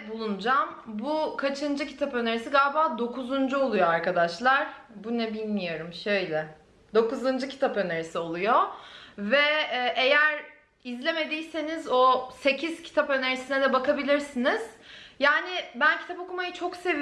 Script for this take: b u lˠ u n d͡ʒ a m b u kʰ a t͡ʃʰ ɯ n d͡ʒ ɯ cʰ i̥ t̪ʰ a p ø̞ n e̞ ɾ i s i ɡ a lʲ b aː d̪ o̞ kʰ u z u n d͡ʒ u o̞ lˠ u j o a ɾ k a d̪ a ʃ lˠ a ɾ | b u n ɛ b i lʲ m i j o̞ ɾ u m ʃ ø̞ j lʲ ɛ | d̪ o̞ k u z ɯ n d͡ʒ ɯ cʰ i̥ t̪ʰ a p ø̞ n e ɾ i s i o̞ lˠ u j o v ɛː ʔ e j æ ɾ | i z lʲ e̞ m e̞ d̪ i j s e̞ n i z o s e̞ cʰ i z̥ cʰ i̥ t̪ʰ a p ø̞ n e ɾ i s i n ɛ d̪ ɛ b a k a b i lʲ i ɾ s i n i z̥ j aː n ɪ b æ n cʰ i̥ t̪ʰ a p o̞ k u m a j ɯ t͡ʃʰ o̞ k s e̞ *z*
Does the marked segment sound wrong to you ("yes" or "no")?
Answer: yes